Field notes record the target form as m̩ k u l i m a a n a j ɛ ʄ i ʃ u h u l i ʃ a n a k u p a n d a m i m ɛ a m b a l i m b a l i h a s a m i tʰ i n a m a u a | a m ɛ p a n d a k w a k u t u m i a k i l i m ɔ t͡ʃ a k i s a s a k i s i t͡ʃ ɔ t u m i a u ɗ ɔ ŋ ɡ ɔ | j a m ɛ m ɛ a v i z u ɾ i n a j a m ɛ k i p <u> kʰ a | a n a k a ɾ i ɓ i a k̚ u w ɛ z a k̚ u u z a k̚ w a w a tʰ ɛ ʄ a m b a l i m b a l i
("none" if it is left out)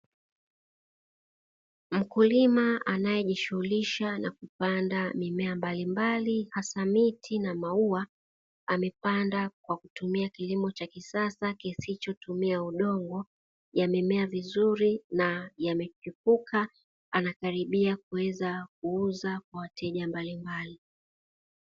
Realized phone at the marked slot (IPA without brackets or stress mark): u